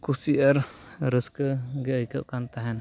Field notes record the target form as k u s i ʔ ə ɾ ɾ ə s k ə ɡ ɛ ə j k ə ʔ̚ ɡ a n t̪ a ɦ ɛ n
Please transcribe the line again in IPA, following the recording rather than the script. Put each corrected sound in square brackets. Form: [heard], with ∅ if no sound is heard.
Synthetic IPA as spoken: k u s i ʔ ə ɾ ɾ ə s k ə ɡ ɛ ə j k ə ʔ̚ [k] a n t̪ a ɦ ɛ n